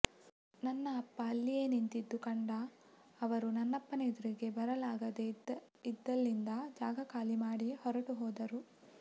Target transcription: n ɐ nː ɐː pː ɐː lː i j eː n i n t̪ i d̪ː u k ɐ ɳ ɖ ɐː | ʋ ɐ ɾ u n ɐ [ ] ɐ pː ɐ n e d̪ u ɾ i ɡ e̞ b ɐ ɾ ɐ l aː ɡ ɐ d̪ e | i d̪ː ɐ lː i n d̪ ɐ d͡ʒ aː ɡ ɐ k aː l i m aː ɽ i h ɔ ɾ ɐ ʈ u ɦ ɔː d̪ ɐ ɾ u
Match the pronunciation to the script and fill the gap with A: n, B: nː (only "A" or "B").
B